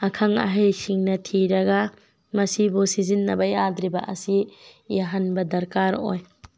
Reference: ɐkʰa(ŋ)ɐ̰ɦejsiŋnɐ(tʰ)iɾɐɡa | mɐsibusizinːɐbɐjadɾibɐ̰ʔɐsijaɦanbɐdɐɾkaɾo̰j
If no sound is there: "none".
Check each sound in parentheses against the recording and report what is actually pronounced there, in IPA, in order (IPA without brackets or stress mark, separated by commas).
ŋ, tʰ